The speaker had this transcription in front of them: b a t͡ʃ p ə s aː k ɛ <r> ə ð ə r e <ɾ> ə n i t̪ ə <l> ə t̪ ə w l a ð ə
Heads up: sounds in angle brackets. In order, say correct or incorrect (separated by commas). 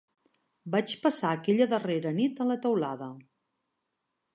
incorrect, correct, correct